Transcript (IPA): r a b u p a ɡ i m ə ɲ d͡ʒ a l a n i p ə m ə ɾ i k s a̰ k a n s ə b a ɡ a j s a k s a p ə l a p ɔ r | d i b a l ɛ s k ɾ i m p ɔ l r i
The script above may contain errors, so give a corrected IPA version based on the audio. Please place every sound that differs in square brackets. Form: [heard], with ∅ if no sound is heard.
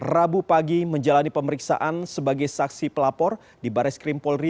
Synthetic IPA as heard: r a b u p a ɡ i m ə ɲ d͡ʒ a l a n i p ə m ə ɾ i k s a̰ [ʔ] a n s ə b a ɡ a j s a k s [i] p ə l a p ɔ r | d i b a [ɾ] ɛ s k ɾ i m p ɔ l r i